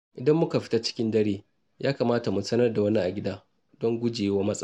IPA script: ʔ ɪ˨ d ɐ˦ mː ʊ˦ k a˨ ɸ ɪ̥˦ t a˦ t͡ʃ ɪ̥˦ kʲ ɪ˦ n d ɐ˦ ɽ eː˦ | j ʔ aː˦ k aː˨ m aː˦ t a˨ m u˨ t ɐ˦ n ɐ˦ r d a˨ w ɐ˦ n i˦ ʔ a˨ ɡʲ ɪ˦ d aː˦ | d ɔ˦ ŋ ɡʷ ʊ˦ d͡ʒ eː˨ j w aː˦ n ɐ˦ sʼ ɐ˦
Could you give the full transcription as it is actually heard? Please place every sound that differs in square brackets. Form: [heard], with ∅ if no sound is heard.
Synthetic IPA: ʔ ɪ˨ d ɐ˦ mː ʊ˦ k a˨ ɸ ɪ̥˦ t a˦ t͡ʃ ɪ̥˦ kʲ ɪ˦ n d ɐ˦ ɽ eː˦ | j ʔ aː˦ k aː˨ m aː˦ t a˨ m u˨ [s] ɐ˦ n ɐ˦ r d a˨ w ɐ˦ n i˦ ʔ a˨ ɡʲ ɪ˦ d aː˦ | d ɔ˦ ŋ ɡʷ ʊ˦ d͡ʒ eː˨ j w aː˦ [m] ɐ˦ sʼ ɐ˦